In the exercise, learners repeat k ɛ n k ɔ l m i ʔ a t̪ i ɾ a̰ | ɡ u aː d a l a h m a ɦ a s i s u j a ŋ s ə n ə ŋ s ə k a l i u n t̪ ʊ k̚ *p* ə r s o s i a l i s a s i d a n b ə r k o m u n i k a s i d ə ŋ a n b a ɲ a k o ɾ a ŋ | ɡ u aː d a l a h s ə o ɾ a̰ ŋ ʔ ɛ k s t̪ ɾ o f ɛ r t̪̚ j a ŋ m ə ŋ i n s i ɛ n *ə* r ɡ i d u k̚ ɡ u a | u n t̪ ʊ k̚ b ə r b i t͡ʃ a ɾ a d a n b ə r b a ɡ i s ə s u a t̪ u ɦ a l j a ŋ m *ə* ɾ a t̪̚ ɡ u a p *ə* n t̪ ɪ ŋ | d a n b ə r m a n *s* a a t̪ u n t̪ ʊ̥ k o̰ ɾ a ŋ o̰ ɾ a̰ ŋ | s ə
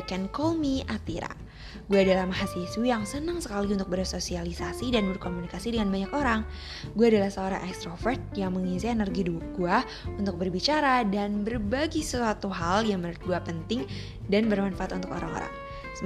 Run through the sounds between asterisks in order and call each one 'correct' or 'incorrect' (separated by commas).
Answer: incorrect, correct, correct, correct, incorrect